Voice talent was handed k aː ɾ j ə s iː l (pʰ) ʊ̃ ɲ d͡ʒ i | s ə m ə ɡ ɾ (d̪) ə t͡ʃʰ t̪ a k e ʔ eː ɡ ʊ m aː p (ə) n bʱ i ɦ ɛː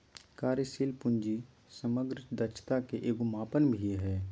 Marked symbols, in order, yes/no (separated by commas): no, yes, yes